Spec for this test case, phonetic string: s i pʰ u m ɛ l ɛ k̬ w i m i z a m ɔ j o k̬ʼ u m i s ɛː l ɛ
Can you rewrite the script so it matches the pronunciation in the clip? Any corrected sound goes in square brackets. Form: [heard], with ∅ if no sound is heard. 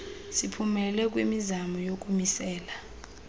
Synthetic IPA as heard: s i pʰ u m ɛ l ɛ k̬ w i m i z a m ɔ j o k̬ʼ u m i s ɛː l [a]